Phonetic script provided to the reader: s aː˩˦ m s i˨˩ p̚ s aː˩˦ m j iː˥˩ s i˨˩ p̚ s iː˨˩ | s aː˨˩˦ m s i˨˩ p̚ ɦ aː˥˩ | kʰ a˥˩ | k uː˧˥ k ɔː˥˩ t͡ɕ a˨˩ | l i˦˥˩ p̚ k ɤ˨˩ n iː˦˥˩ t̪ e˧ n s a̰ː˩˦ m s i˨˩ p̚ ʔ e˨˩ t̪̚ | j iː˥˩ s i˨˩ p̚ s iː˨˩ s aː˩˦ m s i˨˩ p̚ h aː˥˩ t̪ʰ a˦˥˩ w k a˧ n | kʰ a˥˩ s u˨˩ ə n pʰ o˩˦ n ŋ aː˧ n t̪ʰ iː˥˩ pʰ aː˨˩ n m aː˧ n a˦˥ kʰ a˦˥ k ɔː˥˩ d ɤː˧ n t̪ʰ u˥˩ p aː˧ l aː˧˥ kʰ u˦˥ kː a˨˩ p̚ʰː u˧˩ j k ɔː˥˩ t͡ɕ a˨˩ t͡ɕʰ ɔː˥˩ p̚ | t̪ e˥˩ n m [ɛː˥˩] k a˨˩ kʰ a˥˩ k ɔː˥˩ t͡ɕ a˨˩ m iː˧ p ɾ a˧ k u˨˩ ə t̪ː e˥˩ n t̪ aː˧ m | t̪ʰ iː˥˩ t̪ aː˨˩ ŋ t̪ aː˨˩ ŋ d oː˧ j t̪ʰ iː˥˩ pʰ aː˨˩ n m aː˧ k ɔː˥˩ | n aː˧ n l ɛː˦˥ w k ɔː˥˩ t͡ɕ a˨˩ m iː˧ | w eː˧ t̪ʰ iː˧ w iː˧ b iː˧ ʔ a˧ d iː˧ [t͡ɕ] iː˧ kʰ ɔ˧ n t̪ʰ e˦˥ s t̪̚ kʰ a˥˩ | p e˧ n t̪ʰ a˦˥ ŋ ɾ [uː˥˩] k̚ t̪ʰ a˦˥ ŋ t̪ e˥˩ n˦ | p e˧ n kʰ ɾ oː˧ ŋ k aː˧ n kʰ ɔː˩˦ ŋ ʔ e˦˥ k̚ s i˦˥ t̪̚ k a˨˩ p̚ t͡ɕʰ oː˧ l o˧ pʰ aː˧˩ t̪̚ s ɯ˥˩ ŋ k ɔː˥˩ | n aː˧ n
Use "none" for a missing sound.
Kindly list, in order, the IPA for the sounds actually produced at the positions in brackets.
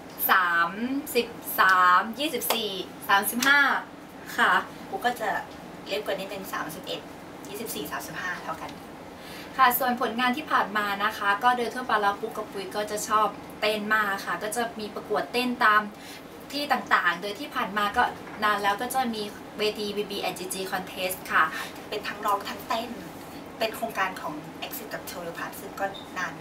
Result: aː˥˩, t͡ɕ, ɔː˥˩

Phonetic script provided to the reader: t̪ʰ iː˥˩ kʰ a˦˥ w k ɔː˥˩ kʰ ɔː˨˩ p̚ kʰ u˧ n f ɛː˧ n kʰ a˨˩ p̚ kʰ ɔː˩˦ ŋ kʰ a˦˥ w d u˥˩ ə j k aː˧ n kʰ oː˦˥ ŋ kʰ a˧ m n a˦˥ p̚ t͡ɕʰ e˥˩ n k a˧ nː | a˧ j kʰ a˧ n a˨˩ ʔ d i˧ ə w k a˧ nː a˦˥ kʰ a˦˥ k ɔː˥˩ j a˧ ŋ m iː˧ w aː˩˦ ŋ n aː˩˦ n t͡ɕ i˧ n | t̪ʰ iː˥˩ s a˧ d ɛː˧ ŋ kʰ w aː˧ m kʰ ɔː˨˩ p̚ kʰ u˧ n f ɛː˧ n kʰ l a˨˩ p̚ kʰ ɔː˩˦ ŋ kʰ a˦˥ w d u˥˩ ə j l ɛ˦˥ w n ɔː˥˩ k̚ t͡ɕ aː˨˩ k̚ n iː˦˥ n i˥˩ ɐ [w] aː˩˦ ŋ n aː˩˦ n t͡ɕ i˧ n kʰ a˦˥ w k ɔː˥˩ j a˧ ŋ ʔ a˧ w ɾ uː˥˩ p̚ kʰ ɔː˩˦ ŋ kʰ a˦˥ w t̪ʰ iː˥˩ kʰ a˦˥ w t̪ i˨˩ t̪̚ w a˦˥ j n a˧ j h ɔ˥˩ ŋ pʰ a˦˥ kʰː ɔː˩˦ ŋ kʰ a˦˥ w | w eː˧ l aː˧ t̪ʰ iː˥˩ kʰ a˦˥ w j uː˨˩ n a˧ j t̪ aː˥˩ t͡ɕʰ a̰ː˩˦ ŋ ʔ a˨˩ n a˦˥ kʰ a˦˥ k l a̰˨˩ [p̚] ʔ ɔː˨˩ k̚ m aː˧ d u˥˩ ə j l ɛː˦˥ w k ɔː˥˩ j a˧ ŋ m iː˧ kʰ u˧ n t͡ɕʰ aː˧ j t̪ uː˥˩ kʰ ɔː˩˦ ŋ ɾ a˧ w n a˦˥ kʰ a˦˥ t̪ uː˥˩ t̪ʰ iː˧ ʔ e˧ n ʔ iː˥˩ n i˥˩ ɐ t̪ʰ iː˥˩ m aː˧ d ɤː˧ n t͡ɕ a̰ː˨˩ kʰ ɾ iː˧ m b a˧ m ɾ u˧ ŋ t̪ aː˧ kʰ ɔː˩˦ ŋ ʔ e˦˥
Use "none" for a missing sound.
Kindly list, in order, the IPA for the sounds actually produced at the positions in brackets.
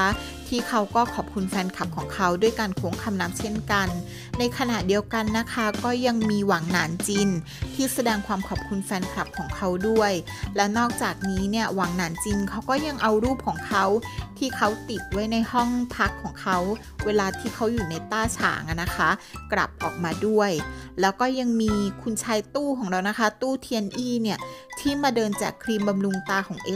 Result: w, p̚

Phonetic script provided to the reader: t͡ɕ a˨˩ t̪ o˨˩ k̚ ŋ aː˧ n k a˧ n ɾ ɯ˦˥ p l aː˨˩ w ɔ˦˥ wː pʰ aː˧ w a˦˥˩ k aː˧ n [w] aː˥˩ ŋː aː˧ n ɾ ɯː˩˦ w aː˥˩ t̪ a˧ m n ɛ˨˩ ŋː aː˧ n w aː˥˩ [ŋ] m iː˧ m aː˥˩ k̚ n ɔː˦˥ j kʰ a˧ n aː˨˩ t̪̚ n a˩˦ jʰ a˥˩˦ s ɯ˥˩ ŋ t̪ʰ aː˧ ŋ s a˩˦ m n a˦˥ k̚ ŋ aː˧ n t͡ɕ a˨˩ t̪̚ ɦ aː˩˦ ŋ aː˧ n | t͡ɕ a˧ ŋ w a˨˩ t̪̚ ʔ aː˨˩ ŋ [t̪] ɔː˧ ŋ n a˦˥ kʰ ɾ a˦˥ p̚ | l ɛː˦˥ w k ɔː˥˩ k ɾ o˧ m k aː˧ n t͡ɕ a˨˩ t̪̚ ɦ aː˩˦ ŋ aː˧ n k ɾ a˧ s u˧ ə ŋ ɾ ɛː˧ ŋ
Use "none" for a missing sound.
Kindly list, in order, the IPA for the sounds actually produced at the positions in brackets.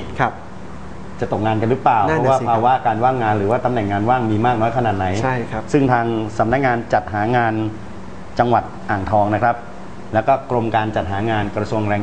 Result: w, ŋ, t̪ʰ

